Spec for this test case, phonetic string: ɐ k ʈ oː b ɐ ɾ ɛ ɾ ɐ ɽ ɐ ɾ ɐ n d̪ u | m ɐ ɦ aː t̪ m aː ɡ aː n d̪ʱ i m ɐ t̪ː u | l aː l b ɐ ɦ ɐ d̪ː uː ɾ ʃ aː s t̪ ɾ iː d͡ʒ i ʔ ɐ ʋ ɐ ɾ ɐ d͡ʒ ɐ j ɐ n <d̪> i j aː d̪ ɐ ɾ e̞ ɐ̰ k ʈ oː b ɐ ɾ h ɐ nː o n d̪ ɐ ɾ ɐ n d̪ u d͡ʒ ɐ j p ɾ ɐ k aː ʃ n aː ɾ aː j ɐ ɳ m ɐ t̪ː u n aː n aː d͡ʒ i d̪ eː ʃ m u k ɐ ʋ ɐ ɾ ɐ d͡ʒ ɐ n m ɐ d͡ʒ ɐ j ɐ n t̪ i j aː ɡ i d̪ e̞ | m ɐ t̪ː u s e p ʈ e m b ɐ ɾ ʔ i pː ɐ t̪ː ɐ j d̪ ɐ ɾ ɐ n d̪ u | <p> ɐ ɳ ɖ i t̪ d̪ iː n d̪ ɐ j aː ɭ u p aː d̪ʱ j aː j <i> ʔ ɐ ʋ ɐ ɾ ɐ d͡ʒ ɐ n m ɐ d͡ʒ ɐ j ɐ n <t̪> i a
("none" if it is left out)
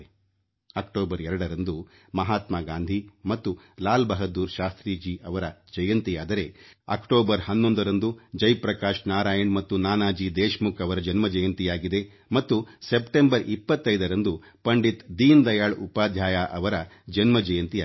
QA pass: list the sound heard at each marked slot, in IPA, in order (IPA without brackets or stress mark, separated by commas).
t̪, p, a, t̪